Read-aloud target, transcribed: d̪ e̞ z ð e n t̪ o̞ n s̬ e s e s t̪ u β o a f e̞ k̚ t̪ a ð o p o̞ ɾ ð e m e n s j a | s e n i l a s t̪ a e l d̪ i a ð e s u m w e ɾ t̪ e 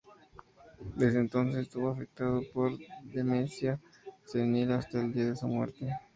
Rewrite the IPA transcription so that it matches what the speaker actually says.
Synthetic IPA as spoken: d̪ e̞ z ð e n t̪ o̞ n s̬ e s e s t̪ u β o a f e̞ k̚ t̪ a ð o p o̞ ɾ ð e m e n s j a | s e n i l a s t̪ a e l d̪ i a ð e s u m w e ɾ t̪ e